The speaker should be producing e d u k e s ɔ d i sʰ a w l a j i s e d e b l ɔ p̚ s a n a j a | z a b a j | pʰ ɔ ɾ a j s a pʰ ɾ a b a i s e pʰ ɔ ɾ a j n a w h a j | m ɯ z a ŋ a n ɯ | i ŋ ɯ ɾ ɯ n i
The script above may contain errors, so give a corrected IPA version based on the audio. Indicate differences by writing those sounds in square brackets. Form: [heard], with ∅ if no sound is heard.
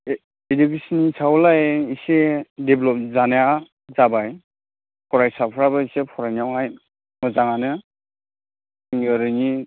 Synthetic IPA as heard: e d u k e s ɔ [n] i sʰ a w l a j i s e d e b l ɔ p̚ [z] a n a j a | z a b a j | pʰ ɔ ɾ a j s a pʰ ɾ a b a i s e pʰ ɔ ɾ a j n a w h a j | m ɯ z a ŋ a n ɯ | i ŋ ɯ ɾ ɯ n i